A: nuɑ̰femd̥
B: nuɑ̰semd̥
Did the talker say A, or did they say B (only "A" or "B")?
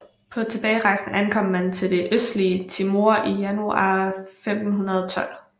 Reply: A